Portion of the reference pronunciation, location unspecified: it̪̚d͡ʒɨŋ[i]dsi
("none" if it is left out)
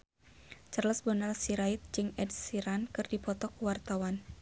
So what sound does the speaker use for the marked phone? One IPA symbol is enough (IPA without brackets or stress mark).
ɛ